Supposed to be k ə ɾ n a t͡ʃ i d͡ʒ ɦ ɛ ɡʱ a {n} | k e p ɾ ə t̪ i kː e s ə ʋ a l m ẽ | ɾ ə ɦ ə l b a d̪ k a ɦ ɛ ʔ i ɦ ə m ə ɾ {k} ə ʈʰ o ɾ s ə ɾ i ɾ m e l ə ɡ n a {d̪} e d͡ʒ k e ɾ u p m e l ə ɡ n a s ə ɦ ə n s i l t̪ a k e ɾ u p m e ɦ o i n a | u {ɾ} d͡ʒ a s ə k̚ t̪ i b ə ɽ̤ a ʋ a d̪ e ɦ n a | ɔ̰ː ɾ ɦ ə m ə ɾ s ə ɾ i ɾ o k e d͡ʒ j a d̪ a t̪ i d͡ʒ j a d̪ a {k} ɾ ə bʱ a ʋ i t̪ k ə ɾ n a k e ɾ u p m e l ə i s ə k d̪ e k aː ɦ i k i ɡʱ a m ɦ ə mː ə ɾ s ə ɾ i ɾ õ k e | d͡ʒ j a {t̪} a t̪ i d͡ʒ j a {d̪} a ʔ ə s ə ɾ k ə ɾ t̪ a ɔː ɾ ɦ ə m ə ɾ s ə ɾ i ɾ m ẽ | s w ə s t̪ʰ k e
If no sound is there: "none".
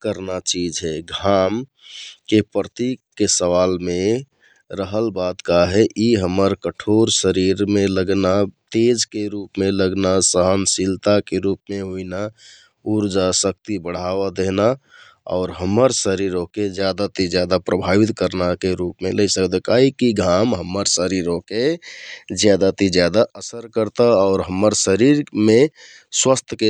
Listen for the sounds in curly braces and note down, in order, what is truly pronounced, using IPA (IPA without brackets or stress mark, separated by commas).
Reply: m, k, t̪, ɾ, p, d̪, d̪